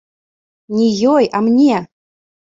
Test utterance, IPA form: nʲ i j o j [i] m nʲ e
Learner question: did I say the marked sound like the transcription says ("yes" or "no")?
no